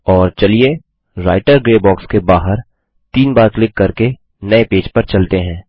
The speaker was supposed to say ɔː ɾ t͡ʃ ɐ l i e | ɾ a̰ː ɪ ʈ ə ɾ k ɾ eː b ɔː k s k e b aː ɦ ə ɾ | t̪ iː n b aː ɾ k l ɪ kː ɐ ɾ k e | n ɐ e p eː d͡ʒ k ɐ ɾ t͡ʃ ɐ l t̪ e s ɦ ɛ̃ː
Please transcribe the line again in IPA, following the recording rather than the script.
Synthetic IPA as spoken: ɔː ɾ t͡ʃ ɐ l i e | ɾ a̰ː ɪ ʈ ə ɾ ɡ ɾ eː b ɔː k s k e b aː ɦ ə ɾ | t̪ iː n b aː ɾ k l ɪ kː ɐ ɾ k e | n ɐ e p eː d͡ʒ p ɐ ɾ t͡ʃ ɐ l t̪ e ɦ ɛ̃ː

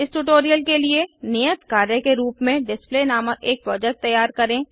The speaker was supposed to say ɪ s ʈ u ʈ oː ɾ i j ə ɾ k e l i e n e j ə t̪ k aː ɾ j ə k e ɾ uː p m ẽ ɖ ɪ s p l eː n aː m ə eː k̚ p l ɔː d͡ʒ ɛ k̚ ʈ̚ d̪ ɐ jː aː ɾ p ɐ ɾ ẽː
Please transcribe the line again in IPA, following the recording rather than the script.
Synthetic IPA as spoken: ɪ s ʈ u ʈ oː ɾ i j ə l k e l i e n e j ə t̪ k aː ɾ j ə k e ɾ uː p m ẽ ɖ ɪ s p l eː n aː m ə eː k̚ p ɾ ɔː d͡ʒ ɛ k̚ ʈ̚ t̪ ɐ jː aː ɾ k ɐ ɾ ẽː

